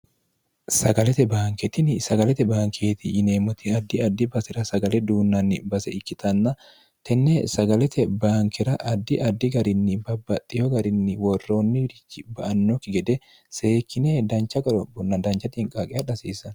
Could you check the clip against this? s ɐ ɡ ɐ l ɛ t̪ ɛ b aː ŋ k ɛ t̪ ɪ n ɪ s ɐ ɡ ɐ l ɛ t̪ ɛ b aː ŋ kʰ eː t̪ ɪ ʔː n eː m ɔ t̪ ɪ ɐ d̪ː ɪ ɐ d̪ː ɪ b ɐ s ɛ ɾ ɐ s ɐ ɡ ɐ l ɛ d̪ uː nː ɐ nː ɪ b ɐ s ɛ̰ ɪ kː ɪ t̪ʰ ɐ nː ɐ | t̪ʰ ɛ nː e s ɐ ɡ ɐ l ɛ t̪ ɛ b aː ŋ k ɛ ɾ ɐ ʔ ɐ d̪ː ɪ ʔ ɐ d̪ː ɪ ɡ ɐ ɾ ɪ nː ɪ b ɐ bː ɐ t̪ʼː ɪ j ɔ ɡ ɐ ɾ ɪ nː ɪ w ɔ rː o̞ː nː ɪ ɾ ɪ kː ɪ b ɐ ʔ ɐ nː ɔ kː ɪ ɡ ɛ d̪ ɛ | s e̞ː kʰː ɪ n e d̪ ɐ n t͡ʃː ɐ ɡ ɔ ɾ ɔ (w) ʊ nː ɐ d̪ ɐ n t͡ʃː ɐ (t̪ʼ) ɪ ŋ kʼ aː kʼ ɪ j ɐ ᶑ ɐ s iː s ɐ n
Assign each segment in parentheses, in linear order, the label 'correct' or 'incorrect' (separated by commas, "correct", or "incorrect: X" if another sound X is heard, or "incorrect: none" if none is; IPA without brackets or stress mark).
incorrect: b, incorrect: t̪